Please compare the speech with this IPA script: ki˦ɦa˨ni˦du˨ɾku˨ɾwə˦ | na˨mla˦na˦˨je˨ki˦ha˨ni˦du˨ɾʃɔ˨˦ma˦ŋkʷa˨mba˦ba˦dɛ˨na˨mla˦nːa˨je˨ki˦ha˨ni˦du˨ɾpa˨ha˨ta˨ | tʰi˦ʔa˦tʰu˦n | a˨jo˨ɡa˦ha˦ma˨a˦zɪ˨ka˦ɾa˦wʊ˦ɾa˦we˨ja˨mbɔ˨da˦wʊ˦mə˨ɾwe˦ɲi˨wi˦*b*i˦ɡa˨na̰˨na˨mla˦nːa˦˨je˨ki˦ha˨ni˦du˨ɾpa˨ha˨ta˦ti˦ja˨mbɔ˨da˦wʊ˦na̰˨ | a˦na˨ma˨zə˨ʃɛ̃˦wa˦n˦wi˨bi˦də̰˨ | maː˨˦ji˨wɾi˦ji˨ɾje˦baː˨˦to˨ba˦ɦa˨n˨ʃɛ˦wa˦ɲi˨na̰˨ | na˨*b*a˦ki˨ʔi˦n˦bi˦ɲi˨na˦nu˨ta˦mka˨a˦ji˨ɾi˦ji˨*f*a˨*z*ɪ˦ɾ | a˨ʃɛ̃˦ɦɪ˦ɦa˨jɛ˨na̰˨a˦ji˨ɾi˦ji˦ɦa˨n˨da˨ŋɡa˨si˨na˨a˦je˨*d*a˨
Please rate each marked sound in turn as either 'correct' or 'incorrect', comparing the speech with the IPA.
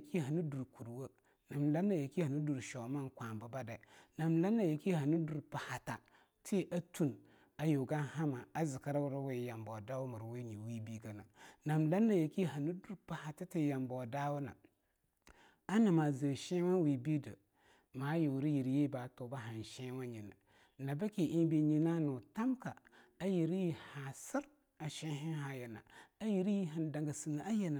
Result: correct, correct, incorrect: h, incorrect: s, incorrect: n

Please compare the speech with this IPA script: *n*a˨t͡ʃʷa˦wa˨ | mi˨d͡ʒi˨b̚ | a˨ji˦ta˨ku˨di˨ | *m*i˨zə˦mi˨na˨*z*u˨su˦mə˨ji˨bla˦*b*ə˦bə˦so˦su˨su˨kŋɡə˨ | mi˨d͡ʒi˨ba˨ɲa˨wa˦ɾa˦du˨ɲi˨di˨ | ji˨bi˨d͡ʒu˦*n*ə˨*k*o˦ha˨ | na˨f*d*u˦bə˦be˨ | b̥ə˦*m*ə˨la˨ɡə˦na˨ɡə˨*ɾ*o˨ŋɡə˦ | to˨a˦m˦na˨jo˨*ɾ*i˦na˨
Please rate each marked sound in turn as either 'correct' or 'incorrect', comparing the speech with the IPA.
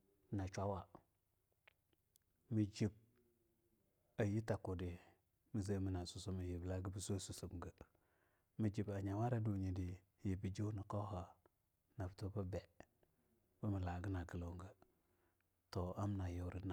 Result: correct, correct, incorrect: s, incorrect: ɡ, correct, correct, incorrect: t, correct, incorrect: l, correct

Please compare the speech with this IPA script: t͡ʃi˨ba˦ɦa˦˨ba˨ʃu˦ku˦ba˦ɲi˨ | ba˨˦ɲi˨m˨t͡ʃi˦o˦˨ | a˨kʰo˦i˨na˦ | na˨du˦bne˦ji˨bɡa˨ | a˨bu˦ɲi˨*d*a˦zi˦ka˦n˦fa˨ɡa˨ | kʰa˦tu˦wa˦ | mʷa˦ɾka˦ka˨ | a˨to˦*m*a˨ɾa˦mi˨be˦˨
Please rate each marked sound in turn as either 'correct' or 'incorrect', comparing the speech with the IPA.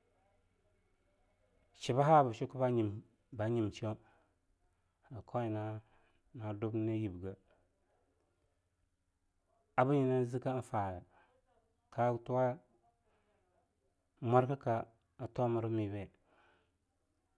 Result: incorrect: n, correct

